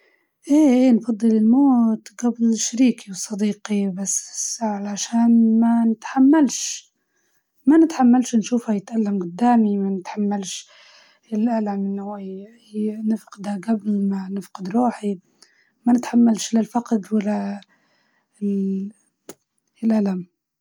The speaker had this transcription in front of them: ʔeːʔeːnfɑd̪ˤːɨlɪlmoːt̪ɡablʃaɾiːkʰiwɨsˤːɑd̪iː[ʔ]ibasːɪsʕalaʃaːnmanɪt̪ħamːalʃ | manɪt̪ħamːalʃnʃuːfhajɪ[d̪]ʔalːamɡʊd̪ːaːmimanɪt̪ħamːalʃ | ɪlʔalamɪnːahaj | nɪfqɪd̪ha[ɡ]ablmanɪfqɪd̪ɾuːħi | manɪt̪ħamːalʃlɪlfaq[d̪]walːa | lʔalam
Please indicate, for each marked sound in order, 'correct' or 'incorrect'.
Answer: incorrect, incorrect, correct, correct

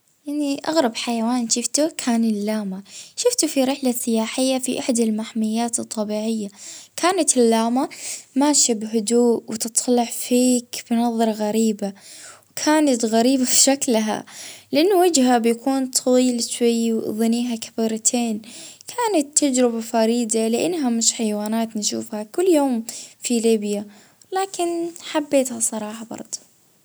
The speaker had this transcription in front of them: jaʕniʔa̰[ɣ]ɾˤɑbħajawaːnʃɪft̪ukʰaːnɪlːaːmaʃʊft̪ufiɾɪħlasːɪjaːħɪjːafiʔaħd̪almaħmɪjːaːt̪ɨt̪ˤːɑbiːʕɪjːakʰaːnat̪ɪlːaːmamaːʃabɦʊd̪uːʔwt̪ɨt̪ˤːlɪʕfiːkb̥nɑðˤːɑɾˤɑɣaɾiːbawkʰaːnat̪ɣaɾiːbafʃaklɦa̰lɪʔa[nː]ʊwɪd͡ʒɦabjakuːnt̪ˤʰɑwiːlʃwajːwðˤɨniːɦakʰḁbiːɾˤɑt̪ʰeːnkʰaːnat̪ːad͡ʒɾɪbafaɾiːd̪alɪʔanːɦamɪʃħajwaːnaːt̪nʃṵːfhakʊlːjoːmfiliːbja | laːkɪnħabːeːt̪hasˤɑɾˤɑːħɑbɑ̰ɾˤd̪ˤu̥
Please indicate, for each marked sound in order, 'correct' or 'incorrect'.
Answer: correct, correct

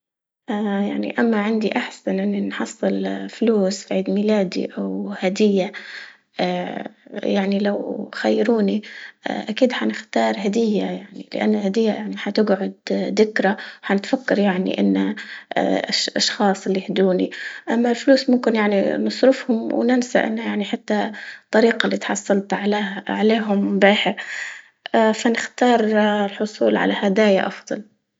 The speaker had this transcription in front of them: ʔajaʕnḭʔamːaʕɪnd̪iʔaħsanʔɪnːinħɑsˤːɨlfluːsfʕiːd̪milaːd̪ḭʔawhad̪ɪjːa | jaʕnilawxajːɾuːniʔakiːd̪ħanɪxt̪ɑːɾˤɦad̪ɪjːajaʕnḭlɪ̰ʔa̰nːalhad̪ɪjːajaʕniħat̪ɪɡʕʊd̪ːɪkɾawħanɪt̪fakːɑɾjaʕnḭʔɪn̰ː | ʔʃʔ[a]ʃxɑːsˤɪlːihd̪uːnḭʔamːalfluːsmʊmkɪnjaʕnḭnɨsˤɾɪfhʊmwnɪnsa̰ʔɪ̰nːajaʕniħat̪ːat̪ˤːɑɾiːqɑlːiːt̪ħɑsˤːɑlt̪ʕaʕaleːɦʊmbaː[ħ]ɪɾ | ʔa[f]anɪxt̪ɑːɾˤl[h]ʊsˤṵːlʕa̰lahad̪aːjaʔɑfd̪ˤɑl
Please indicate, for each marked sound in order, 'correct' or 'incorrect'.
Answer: incorrect, correct, correct, incorrect

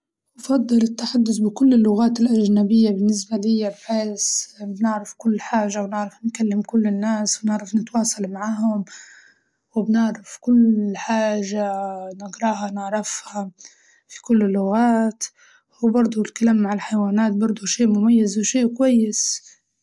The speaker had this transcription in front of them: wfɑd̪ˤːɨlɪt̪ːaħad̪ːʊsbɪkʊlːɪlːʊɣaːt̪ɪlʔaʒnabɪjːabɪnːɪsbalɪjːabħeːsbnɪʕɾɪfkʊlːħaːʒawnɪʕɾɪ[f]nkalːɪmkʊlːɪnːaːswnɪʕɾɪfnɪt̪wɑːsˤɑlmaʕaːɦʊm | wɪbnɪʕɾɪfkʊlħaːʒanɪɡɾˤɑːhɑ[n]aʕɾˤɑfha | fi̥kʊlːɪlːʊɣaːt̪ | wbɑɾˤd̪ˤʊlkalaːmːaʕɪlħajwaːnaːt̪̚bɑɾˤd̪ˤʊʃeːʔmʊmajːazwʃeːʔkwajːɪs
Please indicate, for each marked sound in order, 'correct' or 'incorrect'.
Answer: correct, correct

